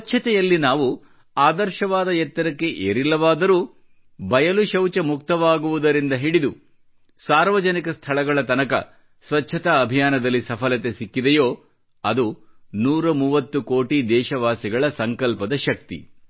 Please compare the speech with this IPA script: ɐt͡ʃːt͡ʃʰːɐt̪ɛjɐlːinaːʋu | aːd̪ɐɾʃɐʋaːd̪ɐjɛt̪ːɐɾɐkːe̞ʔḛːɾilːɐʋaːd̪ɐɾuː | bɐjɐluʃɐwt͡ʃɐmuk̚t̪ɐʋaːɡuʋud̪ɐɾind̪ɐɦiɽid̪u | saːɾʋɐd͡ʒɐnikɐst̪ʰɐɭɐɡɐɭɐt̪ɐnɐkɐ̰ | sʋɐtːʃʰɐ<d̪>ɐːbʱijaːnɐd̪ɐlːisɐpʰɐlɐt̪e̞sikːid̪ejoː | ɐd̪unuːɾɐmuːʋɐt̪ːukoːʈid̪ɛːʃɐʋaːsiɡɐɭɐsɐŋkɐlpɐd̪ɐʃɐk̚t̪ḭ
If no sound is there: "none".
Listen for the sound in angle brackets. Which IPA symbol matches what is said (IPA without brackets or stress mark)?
t̪